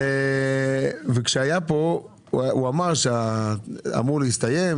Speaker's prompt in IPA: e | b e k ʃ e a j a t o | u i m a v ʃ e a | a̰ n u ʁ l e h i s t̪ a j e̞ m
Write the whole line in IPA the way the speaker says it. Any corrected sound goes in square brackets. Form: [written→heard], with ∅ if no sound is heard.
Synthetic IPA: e | [b→v] e k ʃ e a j a [t→p] o | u [i→a] m a [v→ʁ] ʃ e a | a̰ [n→m] u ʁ l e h i s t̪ a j e̞ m